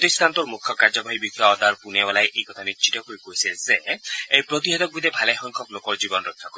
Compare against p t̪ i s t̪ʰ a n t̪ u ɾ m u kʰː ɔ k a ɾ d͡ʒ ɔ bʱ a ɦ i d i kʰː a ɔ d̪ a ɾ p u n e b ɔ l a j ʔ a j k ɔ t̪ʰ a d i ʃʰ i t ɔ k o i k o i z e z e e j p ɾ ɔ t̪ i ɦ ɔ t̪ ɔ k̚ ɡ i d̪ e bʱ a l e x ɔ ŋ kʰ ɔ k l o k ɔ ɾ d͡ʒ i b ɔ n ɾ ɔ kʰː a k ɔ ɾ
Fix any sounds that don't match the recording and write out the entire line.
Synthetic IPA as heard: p t̪ i s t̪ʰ a n t̪ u ɾ m u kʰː ɔ k a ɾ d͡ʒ ɔ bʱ a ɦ i b i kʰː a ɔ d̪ a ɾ p u n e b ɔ l a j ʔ e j k ɔ t̪ʰ a n i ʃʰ i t ɔ k o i k o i s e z e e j p ɾ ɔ t̪ i ɦ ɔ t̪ ɔ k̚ b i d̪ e bʱ a l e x ɔ ŋ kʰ ɔ k l o k ɔ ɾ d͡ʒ i b ɔ n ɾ ɔ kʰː a k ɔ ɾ